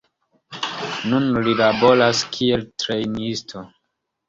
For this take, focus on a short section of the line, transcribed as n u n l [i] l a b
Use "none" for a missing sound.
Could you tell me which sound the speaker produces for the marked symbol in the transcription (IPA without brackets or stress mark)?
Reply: i